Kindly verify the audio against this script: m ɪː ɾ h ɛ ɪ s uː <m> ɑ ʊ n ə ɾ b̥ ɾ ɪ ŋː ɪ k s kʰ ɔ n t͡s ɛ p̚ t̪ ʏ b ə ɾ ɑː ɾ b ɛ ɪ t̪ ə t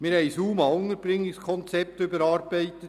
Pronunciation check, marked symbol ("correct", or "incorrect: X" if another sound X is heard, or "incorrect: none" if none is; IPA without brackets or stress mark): correct